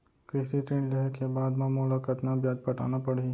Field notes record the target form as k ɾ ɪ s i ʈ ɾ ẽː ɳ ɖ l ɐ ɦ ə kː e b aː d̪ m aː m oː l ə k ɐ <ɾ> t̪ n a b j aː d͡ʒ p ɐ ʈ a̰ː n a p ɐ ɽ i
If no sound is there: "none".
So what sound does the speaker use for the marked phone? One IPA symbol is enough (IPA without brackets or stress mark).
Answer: none